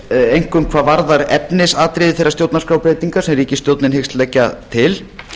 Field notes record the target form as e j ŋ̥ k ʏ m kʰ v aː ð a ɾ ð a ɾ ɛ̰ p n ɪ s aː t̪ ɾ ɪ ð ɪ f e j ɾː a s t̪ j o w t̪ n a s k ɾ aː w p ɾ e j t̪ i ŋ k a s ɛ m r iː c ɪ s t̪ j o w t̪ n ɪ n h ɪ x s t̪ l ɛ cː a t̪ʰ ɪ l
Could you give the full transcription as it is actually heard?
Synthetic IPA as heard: e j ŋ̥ k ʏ m kʰ v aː v a ɾ ð a ɾ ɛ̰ p n ɪ s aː t̪ ɾ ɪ ð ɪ θ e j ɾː a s t̪ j o w t̪ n a s k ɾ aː w p ɾ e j t̪ i ŋ k a s ɛ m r iː c ɪ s t̪ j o w t̪ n ɪ n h ɪ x s t̪ l ɛ cː a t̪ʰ ɪ l

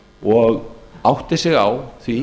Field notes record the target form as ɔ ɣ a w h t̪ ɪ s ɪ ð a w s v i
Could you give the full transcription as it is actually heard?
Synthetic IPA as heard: ɔ ɣ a w h t̪ ɪ s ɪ ɣ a w θ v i

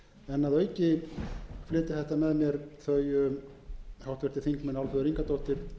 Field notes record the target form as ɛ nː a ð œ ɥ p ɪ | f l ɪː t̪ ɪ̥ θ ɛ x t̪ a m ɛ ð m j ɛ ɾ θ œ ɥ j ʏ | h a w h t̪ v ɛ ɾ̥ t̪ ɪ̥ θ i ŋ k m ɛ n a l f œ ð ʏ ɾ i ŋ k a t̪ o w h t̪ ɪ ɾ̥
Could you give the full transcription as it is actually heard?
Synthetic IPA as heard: ɛ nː a ð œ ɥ c ɪ | f l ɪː t̪ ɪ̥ θ ɛ h t̪ a m ɛ ð m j ɛ ɾ θ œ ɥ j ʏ | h a w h t̪ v ɛ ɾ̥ t̪ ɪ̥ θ i ŋ k m ɛ n a l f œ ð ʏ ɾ i ŋ k a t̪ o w h t̪ ɪ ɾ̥

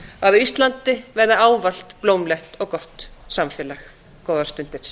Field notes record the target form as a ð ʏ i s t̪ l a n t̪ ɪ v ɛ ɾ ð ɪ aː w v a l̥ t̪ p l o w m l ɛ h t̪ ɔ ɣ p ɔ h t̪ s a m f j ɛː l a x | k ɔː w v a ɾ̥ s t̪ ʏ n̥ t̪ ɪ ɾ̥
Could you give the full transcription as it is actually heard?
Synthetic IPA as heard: a ð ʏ i s t̪ l a n t̪ ɪ v ɛ ɾ ð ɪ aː w v a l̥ t̪ p l o w m l ɛ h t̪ ɔ ɣ k ɔ h t̪ s a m f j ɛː l a x | k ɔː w ð a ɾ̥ s t̪ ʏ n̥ t̪ ɪ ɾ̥

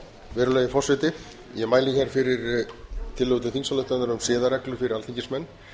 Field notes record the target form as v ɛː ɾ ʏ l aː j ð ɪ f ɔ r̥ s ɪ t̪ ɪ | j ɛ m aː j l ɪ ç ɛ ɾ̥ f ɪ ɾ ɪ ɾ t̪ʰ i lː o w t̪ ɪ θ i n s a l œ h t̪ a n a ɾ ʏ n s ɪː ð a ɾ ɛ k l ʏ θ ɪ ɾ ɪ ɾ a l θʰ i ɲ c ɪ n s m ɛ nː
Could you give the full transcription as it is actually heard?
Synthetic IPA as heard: v ɛː ɾ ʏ l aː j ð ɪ f ɔ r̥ s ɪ t̪ ɪ | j ɛ m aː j l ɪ ç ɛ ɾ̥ f ɪ ɾ ɪ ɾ t̪ʰ ɪ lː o w t̪ ɪ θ i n s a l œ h t̪ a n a ɾ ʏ m s ɪː ð a ɾ ɛ k l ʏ f ɪ ɾ ɪ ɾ a l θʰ i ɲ c ɪ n s m ɛ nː

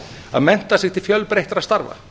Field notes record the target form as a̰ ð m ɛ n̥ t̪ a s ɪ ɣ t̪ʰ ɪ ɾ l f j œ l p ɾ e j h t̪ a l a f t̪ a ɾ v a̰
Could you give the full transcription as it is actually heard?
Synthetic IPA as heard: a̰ ð m ɛ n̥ t̪ a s ɪ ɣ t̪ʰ ɪ l f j œ l p ɾ e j h t̪ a ɾ a s t̪ a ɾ v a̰

